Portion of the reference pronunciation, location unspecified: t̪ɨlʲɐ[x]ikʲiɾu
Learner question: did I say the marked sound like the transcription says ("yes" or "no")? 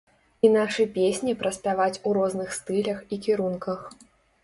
yes